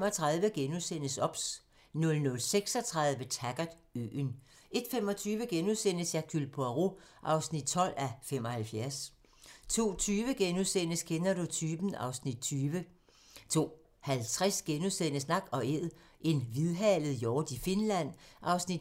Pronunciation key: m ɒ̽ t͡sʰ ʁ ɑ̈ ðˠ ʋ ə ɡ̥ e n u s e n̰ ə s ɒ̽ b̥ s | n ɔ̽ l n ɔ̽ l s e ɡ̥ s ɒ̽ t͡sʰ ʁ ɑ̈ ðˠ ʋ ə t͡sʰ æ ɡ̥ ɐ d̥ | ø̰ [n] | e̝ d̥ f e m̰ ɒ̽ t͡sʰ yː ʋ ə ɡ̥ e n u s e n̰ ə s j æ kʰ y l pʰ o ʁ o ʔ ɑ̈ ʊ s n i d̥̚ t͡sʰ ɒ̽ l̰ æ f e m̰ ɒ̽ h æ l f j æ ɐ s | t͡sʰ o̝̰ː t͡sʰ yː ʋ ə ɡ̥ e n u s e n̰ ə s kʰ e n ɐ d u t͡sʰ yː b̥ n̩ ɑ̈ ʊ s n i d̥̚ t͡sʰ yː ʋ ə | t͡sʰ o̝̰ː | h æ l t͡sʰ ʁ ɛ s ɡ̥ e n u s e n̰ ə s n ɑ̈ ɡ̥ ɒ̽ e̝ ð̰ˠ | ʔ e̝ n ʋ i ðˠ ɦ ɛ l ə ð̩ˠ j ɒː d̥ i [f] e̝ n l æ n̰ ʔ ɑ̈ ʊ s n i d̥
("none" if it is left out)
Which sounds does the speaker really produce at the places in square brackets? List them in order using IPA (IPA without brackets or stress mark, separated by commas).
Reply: n, f